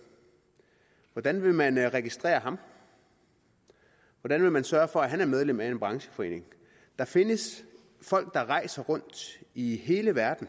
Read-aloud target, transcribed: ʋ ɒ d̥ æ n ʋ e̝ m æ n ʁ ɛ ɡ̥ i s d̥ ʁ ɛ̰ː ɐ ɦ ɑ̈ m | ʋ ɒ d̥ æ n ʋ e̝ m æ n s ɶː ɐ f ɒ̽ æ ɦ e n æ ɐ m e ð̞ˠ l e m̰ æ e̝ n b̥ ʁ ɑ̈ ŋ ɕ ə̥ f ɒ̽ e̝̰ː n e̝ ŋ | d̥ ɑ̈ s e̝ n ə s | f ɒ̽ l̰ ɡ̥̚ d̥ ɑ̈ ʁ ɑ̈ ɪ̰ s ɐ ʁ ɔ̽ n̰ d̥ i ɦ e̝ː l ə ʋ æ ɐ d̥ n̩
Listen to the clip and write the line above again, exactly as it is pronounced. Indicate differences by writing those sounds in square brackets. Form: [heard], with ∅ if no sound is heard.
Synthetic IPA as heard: ʋ ɒ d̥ æ n ʋ e̝ m æ n ʁ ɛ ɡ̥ i s d̥ ʁ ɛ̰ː ɐ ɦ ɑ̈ m | ʋ ɒ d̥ æ n ʋ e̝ m æ n s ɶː ɐ f ɒ̽ æ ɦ [æ] n æ ɐ m e ð̞ˠ l e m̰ æ e̝ n b̥ ʁ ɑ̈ ŋ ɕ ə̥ f ɒ̽ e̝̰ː n e̝ ŋ | d̥ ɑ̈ [f] e̝ n ə s | f ɒ̽ l̰ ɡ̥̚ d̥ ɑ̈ ʁ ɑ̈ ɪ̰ s ɐ ʁ ɔ̽ n̰ d̥ i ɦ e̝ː l ə ʋ æ ɐ d̥ n̩

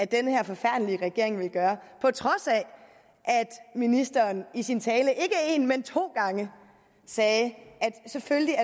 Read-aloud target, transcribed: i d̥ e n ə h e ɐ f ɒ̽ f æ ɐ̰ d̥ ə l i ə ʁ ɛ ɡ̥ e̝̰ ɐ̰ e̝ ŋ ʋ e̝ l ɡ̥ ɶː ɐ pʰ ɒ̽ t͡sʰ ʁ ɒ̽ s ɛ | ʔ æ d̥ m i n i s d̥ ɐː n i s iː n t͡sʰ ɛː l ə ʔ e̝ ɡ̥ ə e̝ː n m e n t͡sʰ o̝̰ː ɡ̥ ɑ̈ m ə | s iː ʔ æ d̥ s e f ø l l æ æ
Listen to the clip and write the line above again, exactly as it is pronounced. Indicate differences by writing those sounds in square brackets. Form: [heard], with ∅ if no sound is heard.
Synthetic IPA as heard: [æ] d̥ e n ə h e ɐ f ɒ̽ f æ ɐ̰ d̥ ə l i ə ʁ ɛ ɡ̥ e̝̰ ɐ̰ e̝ ŋ ʋ e̝ l ɡ̥ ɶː ɐ pʰ ɒ̽ t͡sʰ ʁ ɒ̽ s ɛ | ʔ æ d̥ m i n i s d̥ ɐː n i s [i] n t͡sʰ ɛː l ə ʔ e̝ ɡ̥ ə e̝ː n m e n t͡sʰ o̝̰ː ɡ̥ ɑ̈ [ŋ] ə | s [ɛː] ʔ æ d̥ s e f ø l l [i] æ

